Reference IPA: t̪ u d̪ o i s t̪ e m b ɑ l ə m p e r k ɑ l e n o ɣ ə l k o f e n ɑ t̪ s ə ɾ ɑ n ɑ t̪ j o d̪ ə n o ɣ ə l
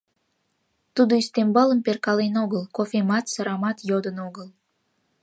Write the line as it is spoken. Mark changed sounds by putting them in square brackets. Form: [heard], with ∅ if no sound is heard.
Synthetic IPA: t̪ u d̪ o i s t̪ e m b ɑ l ə m p e r k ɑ l e n o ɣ ə l k o f e [m] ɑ t̪ s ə ɾ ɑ [m] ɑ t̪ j o d̪ ə n o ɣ ə l